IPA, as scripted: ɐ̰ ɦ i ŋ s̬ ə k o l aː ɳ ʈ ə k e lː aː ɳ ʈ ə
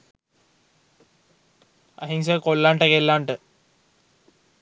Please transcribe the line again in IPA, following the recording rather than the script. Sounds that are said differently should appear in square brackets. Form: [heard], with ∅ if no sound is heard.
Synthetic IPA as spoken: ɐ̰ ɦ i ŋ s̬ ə k o [lː] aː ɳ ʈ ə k e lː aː ɳ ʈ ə

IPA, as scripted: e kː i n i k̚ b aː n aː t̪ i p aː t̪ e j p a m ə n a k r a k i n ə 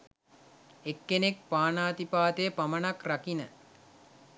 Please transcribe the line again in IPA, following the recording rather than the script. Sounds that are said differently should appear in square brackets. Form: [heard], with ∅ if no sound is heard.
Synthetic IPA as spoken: e kː [e] n [e] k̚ [p] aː n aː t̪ i p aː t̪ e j p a m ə n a k r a k i n ə

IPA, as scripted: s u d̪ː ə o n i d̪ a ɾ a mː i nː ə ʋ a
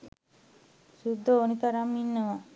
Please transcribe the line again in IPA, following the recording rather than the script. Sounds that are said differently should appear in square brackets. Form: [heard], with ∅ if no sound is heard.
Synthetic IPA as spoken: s u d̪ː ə o n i [t̪] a ɾ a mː i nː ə ʋ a

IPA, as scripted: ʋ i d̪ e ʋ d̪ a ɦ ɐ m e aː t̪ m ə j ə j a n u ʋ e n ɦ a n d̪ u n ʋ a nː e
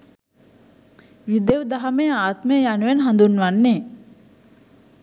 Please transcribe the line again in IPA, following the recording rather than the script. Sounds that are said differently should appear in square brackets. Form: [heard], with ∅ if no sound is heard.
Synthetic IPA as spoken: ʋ i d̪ e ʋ d̪ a ɦ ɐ m e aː t̪ m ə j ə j a n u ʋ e n ɦ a n d̪ u n ʋ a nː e

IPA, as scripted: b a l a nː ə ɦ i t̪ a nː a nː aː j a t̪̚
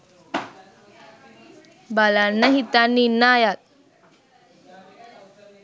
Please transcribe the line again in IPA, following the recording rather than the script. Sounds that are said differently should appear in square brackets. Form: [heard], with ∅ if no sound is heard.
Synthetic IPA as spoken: b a l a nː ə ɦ i t̪ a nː [i] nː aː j a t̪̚

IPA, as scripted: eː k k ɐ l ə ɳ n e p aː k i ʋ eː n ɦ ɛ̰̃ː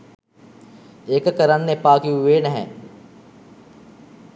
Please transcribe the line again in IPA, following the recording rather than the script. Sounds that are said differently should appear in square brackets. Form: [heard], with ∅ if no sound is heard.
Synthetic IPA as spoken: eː k k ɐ [ɾ] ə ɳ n e p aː k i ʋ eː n ɦ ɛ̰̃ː

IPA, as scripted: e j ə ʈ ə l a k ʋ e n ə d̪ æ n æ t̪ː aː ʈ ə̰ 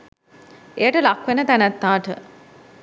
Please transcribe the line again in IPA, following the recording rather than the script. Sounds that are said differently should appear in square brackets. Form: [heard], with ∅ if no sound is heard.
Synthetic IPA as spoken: e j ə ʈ ə l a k ʋ e n ə [t̪] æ n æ t̪ː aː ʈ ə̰

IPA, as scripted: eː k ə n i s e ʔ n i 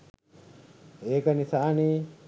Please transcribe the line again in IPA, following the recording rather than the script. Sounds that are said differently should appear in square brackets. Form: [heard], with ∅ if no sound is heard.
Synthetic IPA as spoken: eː k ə n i s [a] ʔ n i

